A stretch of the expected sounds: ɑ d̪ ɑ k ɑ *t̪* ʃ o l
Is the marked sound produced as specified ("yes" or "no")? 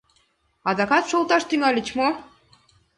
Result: yes